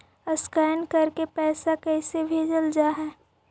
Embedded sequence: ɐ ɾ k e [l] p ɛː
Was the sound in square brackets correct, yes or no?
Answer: no